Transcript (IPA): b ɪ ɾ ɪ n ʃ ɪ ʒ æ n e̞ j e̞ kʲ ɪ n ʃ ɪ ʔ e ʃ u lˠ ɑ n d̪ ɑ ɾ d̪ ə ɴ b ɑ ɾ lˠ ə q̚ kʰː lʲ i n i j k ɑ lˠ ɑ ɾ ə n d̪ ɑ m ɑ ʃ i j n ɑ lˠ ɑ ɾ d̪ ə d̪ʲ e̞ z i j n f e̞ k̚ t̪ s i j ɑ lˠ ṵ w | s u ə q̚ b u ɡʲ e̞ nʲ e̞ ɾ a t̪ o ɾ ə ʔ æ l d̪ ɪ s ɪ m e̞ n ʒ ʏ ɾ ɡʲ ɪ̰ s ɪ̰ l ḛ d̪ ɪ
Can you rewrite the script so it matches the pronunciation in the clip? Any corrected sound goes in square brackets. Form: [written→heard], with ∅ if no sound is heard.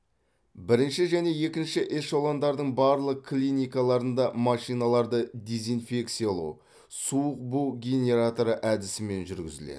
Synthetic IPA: b ɪ ɾ ɪ n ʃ ɪ ʒ æ n e̞ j e̞ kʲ ɪ n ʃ ɪ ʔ e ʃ [u→o] lˠ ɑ n d̪ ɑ ɾ d̪ ə ɴ b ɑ ɾ lˠ ə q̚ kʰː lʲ i n i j k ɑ lˠ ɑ ɾ ə n d̪ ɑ m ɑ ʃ i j n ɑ lˠ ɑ ɾ d̪ ə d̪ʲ e̞ z i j n f e̞ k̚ t̪ s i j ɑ lˠ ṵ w | s u ə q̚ b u ɡʲ e̞ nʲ e̞ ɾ a t̪ o ɾ ə ʔ æ [l→∅] d̪ ɪ s ɪ m e̞ n ʒ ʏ ɾ ɡʲ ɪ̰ [s→z] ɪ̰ l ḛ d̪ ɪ